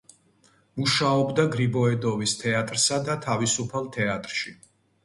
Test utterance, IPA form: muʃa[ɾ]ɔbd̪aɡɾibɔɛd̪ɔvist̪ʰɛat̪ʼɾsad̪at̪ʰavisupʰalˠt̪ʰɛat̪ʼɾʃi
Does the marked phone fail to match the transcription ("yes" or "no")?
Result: yes